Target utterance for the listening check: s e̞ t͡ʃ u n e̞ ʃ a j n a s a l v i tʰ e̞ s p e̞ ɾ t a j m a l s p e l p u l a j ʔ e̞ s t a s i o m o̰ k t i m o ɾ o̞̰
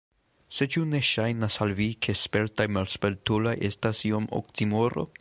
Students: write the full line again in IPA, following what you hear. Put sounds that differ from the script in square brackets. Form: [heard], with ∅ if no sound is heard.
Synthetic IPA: s e̞ t͡ʃ u n e̞ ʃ a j n a s a l v i [kʰ] e̞ s p e̞ ɾ t a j m a l s p e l [t] u l a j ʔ e̞ s t a s i o m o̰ k t i m o ɾ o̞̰

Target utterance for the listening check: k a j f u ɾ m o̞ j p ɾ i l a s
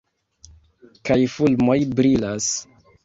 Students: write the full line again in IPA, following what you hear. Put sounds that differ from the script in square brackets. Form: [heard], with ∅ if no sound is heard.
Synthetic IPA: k a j f u [l] m o̞ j [b] ɾ i l a s

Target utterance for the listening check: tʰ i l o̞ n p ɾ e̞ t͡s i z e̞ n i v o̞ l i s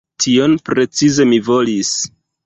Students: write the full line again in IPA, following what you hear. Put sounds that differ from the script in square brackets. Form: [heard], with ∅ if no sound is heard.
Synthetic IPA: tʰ i [∅] o̞ n p ɾ e̞ t͡s i z e̞ [m] i v o̞ l i s

